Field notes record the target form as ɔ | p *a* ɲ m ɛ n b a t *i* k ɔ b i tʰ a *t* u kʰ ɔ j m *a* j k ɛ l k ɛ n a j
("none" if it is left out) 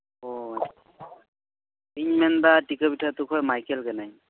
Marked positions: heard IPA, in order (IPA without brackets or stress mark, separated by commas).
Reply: i, i, t, a